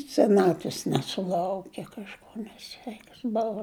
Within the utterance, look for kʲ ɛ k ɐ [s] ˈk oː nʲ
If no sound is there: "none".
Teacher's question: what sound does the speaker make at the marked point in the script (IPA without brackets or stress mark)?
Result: ʃ